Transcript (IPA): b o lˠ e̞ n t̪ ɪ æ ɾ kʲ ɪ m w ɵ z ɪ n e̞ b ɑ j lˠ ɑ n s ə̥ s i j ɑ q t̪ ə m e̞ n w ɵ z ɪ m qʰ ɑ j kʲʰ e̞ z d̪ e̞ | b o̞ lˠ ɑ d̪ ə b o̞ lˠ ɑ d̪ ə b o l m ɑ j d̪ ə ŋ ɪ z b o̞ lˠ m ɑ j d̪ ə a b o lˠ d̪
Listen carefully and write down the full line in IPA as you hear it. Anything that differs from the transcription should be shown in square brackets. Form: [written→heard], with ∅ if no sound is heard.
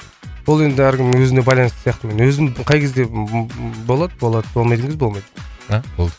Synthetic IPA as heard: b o lˠ e̞ n [t̪→d̪] ɪ æ ɾ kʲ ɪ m w ɵ z ɪ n e̞ b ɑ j lˠ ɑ n s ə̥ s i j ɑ q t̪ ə m e̞ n w ɵ z ɪ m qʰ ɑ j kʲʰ e̞ z d̪ e̞ | b o̞ lˠ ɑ d̪ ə b o̞ lˠ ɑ d̪ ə b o l m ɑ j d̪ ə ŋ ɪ z b o̞ lˠ m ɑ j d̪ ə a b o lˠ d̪